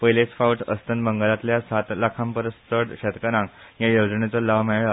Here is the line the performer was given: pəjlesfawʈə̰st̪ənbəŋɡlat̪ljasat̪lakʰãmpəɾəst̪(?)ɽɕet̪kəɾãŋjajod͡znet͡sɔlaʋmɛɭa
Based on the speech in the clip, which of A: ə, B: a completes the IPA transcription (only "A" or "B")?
A